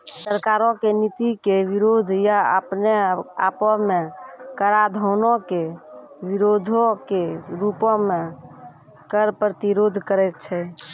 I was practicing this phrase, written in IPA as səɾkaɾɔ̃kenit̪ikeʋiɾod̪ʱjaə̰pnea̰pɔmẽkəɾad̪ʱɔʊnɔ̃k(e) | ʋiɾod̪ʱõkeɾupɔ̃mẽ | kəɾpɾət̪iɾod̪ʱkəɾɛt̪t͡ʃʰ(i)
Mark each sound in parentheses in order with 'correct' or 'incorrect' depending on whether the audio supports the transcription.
correct, incorrect: ɛ

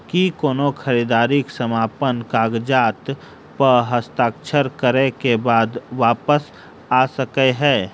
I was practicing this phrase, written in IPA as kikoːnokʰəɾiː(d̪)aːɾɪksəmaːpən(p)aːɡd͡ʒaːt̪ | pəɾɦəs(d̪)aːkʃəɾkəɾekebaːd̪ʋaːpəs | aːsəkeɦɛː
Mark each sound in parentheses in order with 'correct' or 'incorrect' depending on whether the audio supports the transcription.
correct, incorrect: k, incorrect: t̪

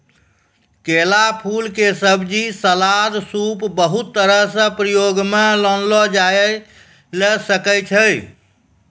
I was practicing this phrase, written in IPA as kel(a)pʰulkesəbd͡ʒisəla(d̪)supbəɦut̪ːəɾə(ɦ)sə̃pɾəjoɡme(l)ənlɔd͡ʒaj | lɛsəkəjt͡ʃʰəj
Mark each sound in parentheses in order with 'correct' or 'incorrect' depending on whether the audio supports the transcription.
correct, correct, correct, correct

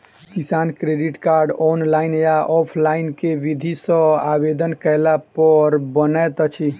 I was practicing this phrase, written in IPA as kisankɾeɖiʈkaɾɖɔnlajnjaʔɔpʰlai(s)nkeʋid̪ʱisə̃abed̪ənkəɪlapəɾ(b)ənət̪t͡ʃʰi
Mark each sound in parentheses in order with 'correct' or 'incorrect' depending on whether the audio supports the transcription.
incorrect: none, correct

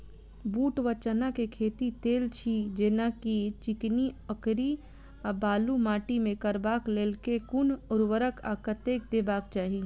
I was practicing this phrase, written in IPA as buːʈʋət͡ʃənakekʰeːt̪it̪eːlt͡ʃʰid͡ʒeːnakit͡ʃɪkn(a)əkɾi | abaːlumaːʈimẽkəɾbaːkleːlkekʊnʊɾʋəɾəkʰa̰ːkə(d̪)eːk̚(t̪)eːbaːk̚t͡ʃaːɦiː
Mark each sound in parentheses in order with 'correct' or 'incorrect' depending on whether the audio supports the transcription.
incorrect: i, incorrect: t̪, incorrect: d̪

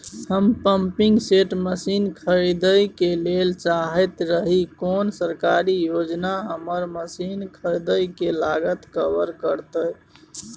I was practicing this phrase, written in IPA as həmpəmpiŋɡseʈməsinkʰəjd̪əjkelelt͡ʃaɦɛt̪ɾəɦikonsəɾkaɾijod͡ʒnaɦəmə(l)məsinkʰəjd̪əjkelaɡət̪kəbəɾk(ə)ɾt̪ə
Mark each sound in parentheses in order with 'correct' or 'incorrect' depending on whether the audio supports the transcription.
incorrect: ɾ, correct

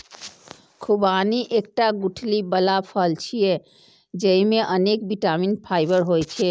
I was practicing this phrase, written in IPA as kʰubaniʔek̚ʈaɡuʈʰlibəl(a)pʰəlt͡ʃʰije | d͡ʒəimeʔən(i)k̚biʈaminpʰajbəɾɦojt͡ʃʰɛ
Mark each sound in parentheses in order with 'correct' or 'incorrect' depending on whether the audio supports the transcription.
correct, incorrect: e

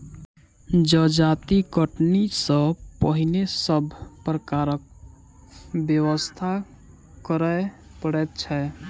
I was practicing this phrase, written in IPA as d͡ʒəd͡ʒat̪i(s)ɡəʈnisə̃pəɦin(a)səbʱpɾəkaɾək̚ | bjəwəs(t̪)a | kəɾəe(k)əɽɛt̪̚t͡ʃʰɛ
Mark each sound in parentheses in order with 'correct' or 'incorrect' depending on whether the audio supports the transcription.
incorrect: none, incorrect: e, incorrect: t̪ʰ, incorrect: p

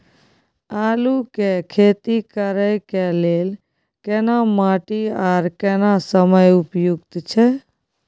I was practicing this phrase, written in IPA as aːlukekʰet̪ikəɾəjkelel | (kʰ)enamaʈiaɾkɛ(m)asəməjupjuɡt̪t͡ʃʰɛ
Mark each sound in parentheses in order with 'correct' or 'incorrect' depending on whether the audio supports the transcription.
incorrect: k, incorrect: n

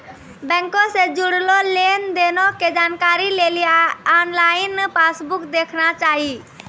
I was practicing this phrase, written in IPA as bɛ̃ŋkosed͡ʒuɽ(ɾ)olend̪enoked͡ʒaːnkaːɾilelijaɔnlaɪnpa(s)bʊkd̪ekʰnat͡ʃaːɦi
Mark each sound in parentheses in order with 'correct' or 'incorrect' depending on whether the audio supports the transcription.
incorrect: l, correct

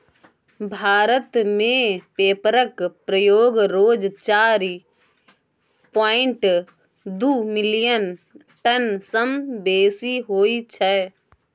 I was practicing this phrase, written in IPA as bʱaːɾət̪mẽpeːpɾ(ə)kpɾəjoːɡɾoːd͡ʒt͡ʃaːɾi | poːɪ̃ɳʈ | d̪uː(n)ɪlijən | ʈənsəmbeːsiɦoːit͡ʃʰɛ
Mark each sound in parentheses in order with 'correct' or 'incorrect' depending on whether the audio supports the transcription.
correct, incorrect: m

